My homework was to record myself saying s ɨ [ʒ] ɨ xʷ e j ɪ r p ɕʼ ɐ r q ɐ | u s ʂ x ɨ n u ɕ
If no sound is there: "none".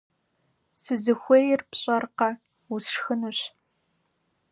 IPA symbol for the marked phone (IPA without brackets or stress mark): z